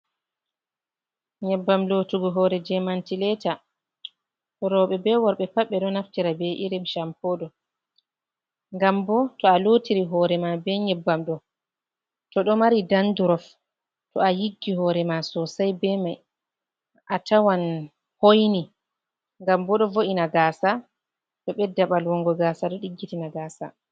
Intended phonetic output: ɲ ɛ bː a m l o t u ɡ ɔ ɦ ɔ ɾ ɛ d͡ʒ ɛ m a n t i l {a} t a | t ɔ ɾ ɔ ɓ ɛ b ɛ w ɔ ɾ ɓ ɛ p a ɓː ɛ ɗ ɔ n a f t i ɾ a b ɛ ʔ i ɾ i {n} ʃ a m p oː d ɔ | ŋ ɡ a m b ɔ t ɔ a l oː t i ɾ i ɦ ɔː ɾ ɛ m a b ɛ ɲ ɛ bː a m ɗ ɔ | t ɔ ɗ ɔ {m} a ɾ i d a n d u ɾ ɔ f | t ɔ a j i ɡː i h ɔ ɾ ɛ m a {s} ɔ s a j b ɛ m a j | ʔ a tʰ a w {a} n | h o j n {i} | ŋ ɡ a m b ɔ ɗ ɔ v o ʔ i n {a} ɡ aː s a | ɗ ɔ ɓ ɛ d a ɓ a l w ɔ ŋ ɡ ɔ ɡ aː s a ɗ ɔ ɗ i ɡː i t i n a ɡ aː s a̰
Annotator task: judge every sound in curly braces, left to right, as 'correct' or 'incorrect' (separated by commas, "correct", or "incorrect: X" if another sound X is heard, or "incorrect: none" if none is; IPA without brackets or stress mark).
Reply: incorrect: ɛ, incorrect: m, correct, correct, correct, correct, correct